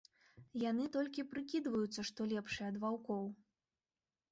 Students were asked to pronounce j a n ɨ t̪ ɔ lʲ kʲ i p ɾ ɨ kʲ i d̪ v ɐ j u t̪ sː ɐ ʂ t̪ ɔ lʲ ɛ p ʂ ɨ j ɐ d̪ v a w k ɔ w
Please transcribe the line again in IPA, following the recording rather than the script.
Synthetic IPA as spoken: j a n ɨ t̪ ɔ lʲ kʲ i p ɾ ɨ kʲ i d̪ v ɐ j u t̪ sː ɐ ʂ t̪ ɔ lʲ ɛ p ʂ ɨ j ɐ d̪ v a w k ɔ w